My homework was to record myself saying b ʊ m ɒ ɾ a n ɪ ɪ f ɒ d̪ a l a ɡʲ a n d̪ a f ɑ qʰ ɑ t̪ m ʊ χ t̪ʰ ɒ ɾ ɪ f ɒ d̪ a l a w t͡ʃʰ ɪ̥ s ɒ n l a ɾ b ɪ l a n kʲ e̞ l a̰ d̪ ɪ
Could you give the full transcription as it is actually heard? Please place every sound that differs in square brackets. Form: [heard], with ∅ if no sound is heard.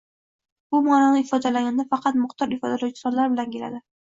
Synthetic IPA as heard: b ʊ m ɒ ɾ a n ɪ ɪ f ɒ d̪ a l a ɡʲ a n d̪ a f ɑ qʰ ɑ t̪ m ʊ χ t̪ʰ ɒ ɾ ɪ f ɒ d̪ a l a w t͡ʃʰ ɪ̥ s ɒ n l a ɾ b ɪ l a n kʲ e̞ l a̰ d̪ ɪ